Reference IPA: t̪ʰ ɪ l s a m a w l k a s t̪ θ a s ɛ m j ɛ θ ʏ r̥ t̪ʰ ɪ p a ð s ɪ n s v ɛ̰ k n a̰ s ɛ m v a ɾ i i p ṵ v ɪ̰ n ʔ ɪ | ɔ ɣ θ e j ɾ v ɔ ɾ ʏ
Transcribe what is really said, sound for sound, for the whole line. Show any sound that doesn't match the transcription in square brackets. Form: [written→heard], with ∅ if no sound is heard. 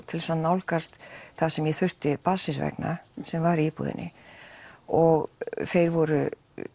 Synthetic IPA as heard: t̪ʰ ɪ l s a [m→n] a w l k a s t̪ θ a s ɛ m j ɛ θ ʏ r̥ [t̪ʰ→t̪] ɪ p a ð s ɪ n s v ɛ̰ k n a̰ s ɛ m v a ɾ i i p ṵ [v→ð] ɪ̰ n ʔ ɪ | ɔ ɣ θ e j ɾ v ɔ ɾ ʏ